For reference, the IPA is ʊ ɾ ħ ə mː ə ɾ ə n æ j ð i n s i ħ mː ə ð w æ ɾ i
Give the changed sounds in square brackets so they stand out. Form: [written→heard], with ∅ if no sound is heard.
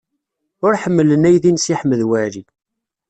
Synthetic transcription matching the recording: ʊ ɾ ħ ə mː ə [ɾ→l] ə n æ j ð i n s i ħ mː ə ð w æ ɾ i